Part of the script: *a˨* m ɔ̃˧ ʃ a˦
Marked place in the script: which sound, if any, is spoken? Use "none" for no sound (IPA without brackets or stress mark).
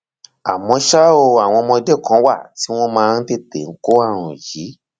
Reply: a˨